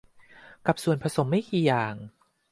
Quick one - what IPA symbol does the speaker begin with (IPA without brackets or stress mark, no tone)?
k